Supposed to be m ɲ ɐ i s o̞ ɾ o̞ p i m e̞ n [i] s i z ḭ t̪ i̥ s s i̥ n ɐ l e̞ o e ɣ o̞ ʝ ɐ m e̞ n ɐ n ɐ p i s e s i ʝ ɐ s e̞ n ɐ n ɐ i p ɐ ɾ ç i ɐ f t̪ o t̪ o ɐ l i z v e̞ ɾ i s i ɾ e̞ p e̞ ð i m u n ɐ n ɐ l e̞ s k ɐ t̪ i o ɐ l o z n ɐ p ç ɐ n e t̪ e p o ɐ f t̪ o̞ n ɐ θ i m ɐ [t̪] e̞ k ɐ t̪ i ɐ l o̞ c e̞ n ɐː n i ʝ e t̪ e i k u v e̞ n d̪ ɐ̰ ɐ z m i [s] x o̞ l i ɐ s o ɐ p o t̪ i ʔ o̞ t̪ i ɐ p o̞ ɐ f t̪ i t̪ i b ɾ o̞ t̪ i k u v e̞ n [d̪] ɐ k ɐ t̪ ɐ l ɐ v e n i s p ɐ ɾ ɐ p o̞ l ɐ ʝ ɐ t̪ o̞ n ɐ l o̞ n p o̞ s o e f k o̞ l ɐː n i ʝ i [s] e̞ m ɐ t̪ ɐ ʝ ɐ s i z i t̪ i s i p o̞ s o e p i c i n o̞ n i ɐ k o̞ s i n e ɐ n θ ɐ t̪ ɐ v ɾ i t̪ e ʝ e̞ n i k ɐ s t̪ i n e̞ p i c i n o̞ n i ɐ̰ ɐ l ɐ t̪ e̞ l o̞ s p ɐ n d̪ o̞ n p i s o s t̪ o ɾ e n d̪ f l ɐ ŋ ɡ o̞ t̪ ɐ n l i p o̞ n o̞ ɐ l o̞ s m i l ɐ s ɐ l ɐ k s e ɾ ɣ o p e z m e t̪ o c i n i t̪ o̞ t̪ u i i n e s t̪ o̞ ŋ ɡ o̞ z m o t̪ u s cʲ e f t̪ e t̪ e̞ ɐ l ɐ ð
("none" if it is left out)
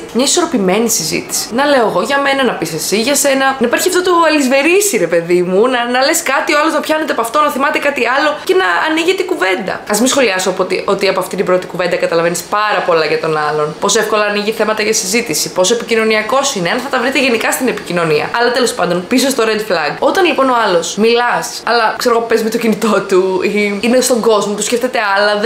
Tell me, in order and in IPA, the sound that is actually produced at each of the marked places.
i, t̪, s, d̪, θ

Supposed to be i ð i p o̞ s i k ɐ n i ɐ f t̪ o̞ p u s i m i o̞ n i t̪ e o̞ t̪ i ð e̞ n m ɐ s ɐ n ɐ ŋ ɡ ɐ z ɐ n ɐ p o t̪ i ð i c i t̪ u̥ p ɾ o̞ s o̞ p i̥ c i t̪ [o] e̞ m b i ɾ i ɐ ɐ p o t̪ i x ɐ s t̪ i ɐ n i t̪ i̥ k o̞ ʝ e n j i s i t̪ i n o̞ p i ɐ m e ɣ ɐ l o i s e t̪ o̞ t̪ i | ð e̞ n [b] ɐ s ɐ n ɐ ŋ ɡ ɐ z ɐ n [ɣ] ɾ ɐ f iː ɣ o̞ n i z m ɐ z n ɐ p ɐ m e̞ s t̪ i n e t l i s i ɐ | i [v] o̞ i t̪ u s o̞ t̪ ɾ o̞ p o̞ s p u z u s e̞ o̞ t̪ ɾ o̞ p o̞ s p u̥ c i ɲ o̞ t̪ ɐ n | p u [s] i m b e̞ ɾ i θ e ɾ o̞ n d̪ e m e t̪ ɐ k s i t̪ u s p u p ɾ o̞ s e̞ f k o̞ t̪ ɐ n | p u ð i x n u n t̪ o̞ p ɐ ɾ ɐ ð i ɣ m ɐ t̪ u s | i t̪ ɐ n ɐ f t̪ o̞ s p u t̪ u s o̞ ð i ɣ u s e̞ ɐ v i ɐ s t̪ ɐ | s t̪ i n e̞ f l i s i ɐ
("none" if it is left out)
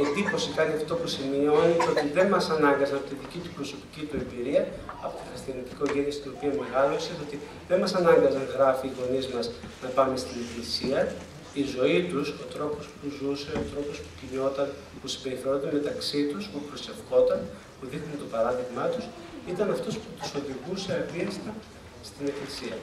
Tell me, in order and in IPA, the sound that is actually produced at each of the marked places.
u, m, ɣ, z, s

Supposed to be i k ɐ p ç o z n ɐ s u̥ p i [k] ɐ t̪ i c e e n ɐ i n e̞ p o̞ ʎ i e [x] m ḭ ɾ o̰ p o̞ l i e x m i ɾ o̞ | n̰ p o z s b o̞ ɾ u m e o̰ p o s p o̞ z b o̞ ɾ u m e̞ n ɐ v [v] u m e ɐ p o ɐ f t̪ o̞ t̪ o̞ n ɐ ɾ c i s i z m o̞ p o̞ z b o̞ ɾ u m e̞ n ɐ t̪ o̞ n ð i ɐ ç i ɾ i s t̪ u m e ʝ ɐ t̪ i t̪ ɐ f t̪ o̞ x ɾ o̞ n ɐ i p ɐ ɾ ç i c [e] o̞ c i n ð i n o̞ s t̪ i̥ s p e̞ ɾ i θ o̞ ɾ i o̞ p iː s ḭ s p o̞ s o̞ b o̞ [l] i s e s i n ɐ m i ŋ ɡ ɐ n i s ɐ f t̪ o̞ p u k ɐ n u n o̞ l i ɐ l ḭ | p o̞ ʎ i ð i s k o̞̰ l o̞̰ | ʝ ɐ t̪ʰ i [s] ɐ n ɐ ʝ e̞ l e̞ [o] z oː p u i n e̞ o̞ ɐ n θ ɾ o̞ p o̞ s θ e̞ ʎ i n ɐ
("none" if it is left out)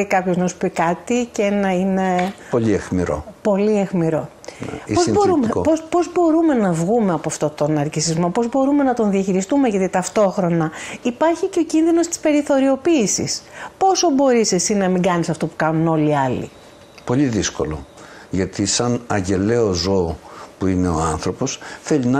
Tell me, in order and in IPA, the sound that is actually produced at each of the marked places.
k, x, ɣ, e, ɾ, s, o

